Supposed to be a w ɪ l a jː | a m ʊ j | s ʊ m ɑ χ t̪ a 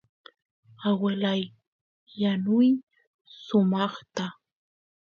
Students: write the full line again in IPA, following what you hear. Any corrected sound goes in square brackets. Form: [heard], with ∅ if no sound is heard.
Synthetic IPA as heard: a w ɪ l a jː | a [n] ʊ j | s ʊ m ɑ χ t̪ a